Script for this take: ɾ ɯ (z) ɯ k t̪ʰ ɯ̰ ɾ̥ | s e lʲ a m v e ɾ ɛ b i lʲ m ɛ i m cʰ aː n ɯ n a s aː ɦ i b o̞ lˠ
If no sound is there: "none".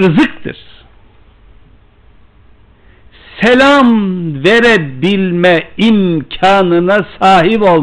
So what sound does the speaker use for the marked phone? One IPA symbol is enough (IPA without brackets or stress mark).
z